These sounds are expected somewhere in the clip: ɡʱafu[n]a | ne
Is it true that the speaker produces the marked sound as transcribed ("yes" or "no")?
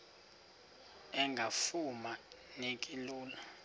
no